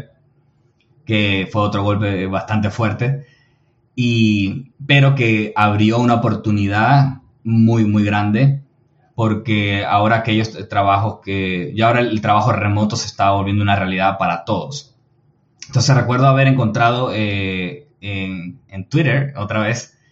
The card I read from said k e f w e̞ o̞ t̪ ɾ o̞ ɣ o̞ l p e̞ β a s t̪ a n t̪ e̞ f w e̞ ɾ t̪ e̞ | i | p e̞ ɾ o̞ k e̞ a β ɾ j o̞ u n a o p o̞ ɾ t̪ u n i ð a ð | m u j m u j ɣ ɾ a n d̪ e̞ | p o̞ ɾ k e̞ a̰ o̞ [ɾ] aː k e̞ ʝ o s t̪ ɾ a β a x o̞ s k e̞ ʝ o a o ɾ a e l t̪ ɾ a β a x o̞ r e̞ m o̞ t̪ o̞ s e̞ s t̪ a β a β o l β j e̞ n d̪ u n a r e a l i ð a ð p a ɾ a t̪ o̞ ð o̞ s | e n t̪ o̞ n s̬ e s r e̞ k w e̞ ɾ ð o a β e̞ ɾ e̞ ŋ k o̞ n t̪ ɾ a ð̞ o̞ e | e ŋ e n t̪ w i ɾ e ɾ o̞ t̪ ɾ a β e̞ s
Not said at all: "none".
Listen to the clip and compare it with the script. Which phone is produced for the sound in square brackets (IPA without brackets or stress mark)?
ɾ